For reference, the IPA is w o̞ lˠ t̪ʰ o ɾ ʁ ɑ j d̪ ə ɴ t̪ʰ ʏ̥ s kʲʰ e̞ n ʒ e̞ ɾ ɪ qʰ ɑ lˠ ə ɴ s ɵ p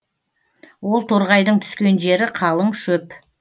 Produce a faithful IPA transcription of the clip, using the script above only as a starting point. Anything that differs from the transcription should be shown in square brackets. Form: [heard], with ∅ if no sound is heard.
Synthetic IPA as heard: w o̞ lˠ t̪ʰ o ɾ ʁ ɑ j d̪ ə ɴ t̪ʰ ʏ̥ s [kʲ] e̞ n ʒ e̞ ɾ ɪ qʰ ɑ lˠ ə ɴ [ʃ] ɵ p